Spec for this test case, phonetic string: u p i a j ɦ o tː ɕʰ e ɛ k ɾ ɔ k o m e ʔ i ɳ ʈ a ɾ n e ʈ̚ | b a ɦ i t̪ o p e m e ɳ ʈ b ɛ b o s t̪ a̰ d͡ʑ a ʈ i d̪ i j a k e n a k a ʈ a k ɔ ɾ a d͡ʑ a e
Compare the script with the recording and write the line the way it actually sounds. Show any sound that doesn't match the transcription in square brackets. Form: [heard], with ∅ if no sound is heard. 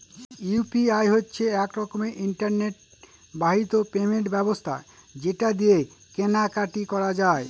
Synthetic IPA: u p i a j ɦ o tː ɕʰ e ɛ k ɾ ɔ k o m e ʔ i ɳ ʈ a ɾ n e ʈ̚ | b a ɦ i t̪ o p e m e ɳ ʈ b ɛ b o s [t̪ʰ] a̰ d͡ʑ [e] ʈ [a] d̪ i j [e] k e n a k a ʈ [i] k ɔ ɾ a d͡ʑ a e